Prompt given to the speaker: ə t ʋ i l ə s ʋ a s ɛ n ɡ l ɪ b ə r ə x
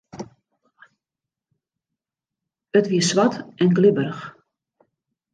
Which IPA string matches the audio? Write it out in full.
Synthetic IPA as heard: ə t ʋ i ə s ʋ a t ɛ n ɡ l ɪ b ə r ə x